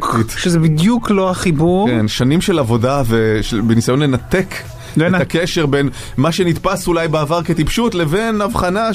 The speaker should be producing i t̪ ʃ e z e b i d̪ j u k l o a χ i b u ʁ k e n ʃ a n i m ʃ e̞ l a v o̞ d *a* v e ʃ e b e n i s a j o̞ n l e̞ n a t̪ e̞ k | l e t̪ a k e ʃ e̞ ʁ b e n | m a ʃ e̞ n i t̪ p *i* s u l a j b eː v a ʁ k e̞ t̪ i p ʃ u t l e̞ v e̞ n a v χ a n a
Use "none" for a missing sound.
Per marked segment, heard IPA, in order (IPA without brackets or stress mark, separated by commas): a, a